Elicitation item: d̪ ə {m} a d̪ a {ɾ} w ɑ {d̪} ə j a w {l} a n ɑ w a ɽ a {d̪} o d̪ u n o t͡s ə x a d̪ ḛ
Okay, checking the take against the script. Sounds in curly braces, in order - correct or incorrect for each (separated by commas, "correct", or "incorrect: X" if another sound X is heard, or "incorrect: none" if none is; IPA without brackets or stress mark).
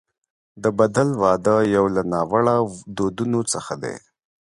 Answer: incorrect: b, incorrect: l, correct, correct, correct